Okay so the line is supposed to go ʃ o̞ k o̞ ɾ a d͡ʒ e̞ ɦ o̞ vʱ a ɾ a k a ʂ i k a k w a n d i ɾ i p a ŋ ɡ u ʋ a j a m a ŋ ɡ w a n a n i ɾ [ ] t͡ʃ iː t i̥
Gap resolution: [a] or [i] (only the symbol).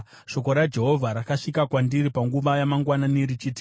i